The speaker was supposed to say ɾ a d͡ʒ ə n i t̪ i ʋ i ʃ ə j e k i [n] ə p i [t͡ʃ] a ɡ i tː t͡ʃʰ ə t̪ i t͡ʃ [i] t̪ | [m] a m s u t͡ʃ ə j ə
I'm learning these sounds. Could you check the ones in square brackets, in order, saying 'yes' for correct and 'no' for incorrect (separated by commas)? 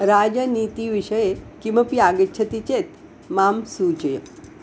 no, no, no, yes